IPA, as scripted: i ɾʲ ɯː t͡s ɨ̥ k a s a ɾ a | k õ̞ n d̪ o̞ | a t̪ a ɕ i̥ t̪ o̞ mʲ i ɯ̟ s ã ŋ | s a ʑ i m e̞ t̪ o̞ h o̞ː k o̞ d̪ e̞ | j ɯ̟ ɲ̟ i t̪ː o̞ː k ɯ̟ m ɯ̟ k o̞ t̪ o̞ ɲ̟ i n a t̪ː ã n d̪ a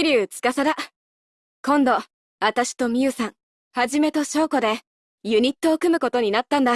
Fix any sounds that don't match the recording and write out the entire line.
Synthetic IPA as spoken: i ɾʲ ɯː t͡s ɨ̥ k a s a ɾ a | k õ̞ n d̪ o̞ | a t̪ a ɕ i̥ t̪ o̞ mʲ i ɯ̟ s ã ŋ | h a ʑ i m e̞ t̪ o̞ ɕ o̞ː k o̞ d̪ e̞ | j ɯ̟ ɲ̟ i t̪ː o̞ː k ɯ̟ m ɯ̟ k o̞ t̪ o̞ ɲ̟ i n a t̪ː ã n d̪ a